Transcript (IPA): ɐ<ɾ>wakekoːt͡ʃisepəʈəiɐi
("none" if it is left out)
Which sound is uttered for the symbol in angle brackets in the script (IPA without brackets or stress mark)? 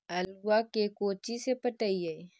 l